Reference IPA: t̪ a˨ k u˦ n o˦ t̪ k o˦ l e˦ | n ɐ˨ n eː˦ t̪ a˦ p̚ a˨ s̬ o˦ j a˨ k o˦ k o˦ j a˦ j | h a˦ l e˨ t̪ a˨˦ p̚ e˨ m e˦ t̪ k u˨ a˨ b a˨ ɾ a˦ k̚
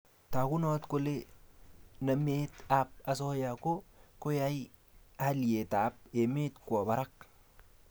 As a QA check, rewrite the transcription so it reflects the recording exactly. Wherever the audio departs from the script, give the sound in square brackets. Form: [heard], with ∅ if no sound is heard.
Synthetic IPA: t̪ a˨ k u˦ n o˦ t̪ k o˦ l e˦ | n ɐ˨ [m] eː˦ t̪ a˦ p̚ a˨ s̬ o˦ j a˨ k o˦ k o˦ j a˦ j | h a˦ l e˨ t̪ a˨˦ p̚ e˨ m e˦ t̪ k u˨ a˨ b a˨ ɾ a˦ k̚